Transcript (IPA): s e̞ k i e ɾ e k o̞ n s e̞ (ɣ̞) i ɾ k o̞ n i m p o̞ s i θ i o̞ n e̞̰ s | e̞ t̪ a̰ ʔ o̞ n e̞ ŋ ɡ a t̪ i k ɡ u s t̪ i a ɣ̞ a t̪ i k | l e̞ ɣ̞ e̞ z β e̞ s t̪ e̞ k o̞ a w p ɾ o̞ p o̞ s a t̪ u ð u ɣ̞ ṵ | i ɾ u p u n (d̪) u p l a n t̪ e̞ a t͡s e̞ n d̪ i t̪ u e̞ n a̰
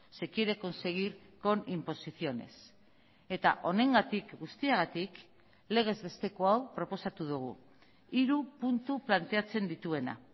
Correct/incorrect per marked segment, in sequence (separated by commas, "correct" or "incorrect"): correct, incorrect